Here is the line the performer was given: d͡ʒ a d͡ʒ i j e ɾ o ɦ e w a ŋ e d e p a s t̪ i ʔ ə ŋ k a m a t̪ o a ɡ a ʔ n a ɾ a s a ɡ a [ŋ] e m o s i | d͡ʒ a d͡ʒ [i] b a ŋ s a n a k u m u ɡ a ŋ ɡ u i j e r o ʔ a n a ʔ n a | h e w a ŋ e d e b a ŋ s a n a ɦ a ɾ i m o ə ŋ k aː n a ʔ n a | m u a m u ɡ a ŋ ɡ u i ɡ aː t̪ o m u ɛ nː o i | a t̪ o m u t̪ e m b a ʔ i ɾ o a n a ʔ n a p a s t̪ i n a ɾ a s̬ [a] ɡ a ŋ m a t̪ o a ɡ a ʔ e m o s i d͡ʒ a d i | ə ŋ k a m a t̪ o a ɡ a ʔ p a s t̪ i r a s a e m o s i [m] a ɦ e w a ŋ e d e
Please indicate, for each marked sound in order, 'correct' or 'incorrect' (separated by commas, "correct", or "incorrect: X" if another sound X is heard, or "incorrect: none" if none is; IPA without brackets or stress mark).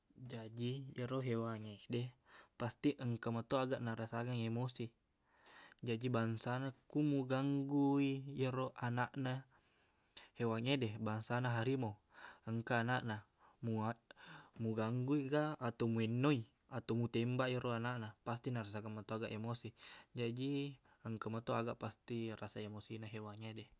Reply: correct, correct, correct, incorrect: n